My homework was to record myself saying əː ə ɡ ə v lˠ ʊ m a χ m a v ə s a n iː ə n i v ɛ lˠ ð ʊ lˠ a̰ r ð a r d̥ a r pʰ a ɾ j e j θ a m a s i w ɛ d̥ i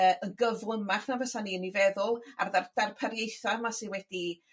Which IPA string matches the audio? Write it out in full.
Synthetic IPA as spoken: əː ə ɡ ə v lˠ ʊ m a χ n a v ə s a n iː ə n i v ɛ ð ʊ lˠ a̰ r ð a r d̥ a r pʰ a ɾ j e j θ a m a s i w ɛ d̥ i